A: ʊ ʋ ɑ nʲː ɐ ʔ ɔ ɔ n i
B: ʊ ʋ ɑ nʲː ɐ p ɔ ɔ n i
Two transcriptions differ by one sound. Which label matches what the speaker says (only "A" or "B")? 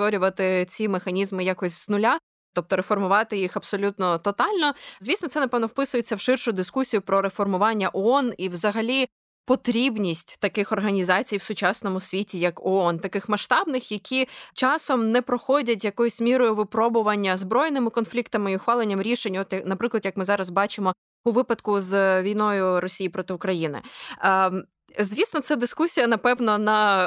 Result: A